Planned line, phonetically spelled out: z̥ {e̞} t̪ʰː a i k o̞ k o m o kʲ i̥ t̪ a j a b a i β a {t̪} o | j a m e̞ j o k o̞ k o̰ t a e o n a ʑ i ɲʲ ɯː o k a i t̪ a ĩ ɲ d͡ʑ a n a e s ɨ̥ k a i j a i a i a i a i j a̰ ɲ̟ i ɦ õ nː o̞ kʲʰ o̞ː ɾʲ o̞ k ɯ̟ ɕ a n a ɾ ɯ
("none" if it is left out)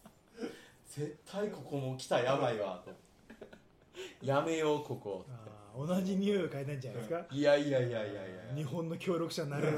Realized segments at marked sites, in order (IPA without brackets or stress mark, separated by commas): e̞, t̪